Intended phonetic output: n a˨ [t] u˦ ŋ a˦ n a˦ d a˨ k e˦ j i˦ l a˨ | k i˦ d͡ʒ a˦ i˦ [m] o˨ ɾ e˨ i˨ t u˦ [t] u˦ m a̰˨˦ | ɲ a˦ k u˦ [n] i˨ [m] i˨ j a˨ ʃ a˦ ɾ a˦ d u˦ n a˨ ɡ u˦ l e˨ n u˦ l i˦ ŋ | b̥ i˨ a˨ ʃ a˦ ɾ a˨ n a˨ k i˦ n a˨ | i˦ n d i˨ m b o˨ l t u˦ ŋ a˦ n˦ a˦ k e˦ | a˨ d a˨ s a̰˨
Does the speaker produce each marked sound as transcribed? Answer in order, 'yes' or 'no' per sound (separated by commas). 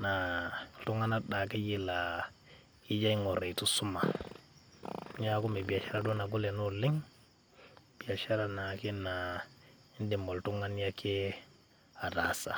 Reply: yes, no, no, no, no